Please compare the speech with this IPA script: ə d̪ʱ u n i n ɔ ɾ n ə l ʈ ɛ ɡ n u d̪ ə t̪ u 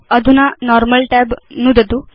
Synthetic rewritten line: ə d̪ʱ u n a n ɔ ɾ m ə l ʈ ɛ b n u d̪ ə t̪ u